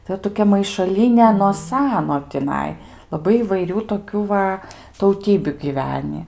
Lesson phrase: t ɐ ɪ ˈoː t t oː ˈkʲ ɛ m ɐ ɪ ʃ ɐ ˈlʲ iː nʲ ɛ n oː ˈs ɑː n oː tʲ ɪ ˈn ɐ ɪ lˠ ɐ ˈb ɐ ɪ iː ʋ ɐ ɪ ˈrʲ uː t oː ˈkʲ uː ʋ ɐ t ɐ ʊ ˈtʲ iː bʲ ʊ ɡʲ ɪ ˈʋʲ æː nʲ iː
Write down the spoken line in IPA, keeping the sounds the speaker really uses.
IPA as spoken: t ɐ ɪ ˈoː t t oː ˈkʲ ɛ m ɐ ɪ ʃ ɐ ˈlʲ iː nʲ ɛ n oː ˈs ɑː n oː tʲ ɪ ˈn ɐ ɪ lˠ ɐ ˈb ɐ ɪ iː ʋ ɐ ɪ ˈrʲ uː t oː ˈkʲ uː ʋ ɐ t ɐ ʊ ˈtʲ iː bʲ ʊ ɡʲ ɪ ˈʋʲ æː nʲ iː